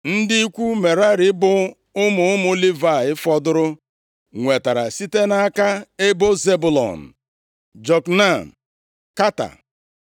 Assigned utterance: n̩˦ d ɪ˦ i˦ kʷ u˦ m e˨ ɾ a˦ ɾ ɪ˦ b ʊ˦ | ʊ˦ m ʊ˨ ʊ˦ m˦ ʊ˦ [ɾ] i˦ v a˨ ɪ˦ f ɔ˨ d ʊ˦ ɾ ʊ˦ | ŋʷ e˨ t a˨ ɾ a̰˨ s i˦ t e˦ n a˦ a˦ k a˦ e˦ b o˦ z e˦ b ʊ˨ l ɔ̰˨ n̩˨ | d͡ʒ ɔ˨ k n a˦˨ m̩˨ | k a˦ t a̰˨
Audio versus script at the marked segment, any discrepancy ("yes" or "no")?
yes